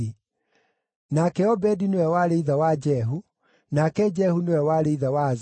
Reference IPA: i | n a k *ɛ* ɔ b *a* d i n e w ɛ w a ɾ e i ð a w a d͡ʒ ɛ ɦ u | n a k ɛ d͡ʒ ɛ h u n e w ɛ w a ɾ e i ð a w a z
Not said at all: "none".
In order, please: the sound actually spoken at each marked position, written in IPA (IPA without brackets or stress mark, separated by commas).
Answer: ɛ, ɛ